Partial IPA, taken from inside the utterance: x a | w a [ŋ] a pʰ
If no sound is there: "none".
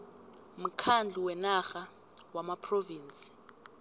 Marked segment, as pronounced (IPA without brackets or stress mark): m